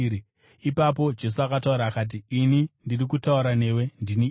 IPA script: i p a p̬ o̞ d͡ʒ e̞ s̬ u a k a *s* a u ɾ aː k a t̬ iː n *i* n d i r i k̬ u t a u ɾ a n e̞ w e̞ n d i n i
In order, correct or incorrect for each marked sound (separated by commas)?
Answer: incorrect, correct